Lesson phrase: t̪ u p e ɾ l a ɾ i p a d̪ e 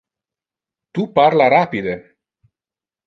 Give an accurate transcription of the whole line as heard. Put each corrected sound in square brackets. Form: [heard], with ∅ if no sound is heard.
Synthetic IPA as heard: t̪ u p [a] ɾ l a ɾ [a] p [i] d̪ e